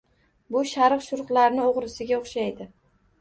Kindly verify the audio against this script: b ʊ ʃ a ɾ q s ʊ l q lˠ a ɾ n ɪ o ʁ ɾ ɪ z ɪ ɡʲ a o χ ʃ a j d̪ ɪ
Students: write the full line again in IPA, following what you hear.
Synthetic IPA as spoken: b ʊ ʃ a ɾ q ʃ ʊ ɾ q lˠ a ɾ n ɪ o ʁ ɾ ɪ s ɪ ɡʲ a o χ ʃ a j d̪ ɪ